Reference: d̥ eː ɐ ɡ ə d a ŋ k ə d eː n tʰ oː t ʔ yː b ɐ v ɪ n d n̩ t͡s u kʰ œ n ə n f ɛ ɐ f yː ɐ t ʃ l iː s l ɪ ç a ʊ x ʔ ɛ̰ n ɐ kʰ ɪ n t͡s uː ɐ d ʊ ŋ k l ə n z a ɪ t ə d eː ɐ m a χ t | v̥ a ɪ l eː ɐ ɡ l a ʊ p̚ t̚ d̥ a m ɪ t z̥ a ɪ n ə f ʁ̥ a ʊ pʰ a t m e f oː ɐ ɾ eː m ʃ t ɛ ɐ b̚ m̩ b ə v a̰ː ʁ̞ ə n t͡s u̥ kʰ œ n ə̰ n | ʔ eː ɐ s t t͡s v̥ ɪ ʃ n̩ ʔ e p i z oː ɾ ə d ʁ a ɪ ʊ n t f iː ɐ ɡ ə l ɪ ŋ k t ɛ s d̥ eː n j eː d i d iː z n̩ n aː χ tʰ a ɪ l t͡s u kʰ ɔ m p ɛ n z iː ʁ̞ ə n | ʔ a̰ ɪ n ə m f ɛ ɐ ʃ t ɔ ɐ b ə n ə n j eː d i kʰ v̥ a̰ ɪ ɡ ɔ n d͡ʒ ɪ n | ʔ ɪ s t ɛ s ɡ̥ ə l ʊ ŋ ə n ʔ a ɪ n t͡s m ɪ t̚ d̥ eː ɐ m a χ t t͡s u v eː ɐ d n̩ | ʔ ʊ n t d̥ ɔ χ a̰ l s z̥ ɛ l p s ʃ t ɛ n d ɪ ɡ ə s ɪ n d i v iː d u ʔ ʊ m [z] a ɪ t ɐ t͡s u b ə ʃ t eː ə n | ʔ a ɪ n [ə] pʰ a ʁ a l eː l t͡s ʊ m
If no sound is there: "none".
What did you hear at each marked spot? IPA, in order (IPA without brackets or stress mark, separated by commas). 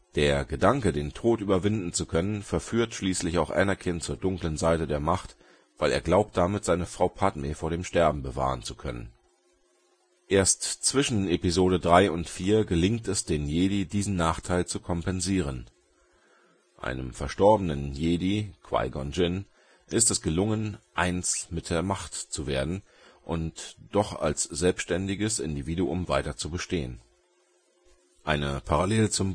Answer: v, ə